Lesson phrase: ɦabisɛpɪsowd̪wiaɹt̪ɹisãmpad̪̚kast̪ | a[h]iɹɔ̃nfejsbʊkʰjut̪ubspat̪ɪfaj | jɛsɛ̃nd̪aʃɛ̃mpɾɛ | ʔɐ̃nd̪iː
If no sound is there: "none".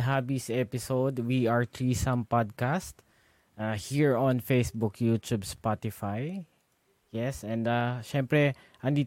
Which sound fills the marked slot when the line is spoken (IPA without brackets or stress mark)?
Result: h